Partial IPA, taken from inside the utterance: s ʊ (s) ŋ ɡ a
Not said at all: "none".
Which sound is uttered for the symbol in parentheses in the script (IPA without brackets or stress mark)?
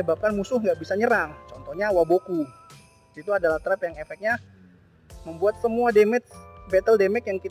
h